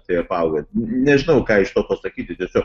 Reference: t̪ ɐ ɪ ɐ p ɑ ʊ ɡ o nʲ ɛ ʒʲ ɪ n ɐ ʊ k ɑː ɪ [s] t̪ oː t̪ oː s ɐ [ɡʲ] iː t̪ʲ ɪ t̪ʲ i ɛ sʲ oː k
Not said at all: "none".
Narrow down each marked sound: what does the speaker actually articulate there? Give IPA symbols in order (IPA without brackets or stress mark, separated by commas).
ʃ, kʲ